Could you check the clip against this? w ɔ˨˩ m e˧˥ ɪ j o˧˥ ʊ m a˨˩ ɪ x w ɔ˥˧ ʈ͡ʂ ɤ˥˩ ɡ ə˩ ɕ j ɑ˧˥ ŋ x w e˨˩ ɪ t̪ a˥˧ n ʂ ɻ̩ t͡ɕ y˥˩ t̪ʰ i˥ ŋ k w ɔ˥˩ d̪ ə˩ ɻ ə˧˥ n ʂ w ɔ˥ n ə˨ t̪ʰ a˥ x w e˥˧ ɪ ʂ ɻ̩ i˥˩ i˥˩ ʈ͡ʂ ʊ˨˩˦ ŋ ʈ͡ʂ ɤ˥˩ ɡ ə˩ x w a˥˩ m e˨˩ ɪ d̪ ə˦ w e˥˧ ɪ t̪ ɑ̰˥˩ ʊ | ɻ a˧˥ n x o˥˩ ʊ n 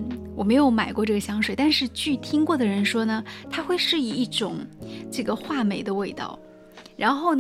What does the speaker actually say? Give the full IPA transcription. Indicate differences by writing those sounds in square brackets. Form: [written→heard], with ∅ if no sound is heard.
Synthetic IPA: w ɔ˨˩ m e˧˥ ɪ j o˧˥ ʊ m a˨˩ ɪ [x→k] w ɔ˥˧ ʈ͡ʂ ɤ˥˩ ɡ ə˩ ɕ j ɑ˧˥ ŋ [x→ʂ] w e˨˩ ɪ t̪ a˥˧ n ʂ ɻ̩ t͡ɕ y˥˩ t̪ʰ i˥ ŋ k w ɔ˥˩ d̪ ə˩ ɻ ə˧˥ n ʂ w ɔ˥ n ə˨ t̪ʰ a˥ x w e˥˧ ɪ ʂ ɻ̩ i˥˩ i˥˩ ʈ͡ʂ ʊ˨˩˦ ŋ ʈ͡ʂ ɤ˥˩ ɡ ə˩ x w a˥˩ m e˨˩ ɪ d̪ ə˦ w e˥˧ ɪ t̪ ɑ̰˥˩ ʊ | ɻ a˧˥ n x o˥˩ ʊ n